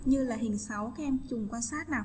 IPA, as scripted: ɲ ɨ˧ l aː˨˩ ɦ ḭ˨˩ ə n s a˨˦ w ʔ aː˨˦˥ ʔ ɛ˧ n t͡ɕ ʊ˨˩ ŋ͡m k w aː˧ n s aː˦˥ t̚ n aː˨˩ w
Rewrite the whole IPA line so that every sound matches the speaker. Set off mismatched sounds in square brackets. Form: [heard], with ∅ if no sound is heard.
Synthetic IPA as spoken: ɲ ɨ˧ l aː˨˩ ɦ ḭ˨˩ ə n s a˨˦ w [k] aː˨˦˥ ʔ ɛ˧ [m] t͡ɕ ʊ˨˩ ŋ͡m k w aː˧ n s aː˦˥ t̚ n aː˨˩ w